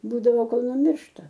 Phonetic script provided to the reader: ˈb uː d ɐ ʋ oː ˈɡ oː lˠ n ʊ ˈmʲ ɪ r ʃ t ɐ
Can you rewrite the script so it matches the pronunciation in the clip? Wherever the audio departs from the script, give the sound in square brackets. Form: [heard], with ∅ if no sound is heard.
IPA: ˈb uː d ɐ ʋ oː [ˈk] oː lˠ n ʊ ˈmʲ ɪ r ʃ t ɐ